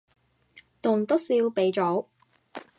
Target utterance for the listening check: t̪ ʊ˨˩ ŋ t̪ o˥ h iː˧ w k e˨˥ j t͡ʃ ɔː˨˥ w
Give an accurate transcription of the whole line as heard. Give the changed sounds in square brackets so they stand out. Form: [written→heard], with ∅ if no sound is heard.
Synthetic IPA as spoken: t̪ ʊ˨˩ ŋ t̪ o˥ [h→s] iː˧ w [k→p] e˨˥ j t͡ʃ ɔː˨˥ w